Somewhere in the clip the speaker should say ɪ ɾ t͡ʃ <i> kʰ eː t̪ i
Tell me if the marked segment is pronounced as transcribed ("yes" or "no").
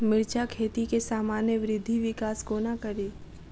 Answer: no